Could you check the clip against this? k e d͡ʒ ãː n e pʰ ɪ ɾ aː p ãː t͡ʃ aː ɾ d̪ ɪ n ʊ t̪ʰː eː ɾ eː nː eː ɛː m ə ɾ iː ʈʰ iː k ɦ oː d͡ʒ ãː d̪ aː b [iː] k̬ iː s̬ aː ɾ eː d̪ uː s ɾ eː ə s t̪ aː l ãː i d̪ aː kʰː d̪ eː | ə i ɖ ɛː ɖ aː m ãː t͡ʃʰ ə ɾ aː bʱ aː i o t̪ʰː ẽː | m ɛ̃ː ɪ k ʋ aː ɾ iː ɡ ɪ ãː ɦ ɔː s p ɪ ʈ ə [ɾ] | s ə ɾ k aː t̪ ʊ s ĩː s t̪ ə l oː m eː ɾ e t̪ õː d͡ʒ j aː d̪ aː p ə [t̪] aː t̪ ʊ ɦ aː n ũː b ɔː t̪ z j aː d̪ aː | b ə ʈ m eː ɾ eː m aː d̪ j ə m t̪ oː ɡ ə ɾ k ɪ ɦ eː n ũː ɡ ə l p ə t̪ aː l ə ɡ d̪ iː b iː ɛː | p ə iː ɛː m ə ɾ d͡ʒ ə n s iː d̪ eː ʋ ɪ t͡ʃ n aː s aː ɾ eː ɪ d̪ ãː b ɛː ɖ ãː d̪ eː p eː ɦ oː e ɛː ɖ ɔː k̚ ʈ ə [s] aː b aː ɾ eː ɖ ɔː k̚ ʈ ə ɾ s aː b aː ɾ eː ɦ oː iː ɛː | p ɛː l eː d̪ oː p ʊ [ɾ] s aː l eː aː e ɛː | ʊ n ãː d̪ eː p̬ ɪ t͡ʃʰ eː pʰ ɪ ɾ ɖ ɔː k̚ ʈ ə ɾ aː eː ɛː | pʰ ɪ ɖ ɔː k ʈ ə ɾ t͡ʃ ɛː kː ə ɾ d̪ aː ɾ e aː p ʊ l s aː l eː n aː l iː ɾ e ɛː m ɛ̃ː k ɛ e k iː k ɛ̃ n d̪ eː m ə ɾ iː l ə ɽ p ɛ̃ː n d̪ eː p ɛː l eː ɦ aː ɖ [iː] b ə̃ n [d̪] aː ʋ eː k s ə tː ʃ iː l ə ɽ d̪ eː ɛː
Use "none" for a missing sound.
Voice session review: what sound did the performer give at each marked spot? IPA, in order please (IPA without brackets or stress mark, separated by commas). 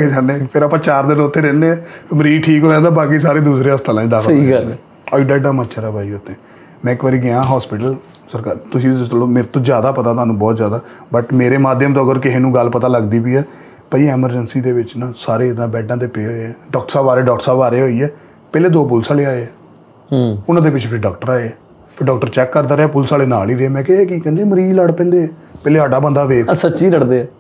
aː, l, t̪, s, l, aː, d̪